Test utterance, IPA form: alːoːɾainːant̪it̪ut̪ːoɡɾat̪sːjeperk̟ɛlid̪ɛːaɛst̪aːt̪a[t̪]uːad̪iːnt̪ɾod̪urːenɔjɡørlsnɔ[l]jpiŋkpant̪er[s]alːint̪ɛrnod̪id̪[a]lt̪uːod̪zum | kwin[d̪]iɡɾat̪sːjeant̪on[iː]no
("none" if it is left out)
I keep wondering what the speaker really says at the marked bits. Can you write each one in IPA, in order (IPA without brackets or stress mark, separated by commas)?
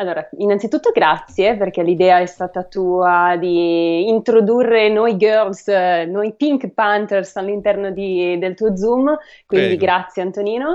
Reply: t̪, none, s, e, d̪, iː